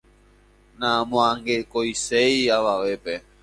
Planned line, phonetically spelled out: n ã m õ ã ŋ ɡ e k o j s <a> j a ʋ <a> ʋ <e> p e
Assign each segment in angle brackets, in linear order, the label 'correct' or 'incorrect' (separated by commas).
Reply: incorrect, correct, correct